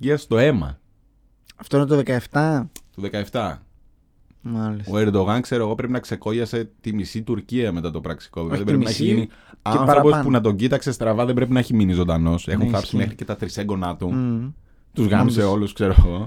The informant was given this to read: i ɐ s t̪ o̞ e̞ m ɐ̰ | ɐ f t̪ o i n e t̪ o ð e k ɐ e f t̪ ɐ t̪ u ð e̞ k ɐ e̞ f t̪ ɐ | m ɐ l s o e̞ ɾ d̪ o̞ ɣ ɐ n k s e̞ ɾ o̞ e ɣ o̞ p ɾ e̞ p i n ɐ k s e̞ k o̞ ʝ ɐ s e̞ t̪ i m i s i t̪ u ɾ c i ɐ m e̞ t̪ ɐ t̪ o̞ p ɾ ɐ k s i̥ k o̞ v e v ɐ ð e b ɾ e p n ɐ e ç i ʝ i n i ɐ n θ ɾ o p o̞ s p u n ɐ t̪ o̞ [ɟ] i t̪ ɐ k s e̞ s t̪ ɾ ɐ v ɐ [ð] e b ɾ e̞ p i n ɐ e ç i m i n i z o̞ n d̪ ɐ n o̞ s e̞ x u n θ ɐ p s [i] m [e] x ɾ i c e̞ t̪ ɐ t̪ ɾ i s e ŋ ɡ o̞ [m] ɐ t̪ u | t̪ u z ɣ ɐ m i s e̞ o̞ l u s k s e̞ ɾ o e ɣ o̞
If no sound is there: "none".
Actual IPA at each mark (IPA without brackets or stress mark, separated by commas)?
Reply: ɟ, ð, i, e, n